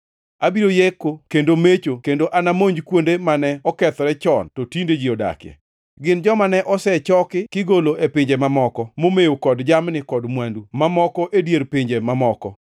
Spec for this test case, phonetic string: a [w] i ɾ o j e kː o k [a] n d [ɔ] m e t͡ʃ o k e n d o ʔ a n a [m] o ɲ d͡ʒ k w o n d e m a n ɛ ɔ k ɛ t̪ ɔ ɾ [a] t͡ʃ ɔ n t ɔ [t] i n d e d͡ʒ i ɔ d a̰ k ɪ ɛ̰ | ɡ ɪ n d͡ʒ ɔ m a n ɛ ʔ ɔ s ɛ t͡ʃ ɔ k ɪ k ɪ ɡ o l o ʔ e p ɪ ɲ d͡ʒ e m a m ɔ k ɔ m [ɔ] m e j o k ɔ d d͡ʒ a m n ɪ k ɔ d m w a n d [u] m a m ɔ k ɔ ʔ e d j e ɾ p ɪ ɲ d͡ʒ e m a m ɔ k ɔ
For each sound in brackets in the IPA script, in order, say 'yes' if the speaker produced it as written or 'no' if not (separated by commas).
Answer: no, no, no, yes, no, yes, no, yes